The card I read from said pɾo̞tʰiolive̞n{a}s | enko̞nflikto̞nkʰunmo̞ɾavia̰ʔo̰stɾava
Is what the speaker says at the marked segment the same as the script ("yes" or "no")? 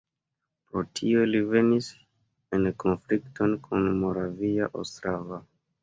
no